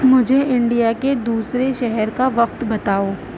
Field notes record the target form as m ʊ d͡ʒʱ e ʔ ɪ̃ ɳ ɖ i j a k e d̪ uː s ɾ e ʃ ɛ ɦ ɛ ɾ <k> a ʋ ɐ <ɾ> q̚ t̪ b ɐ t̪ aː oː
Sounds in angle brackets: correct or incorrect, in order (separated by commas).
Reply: correct, incorrect